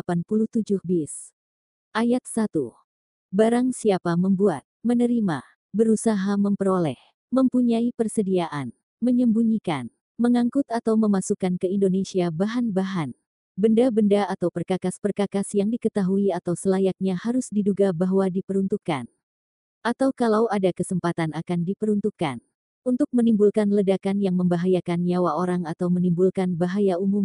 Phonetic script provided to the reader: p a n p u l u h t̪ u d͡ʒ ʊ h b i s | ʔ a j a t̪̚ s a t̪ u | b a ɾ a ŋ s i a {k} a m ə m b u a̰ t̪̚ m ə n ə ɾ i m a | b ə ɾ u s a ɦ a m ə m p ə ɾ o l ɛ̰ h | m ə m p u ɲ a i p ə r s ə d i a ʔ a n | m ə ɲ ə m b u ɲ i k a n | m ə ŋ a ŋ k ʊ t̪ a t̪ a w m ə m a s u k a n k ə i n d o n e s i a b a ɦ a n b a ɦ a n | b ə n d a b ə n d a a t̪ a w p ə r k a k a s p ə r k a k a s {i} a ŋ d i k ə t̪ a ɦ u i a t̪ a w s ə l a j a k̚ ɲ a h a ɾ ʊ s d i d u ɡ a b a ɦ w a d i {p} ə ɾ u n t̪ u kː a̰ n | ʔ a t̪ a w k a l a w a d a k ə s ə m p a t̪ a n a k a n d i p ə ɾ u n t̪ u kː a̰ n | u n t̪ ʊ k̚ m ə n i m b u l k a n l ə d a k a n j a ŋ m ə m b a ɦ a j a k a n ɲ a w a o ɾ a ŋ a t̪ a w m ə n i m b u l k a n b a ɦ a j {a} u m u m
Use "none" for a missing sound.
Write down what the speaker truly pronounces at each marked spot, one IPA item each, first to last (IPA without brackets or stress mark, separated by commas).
p, j, p, a